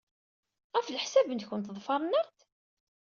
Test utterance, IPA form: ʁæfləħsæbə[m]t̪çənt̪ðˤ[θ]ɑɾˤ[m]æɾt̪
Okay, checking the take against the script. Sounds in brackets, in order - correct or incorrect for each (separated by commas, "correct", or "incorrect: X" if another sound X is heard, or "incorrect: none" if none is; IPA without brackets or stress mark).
incorrect: n, incorrect: f, incorrect: n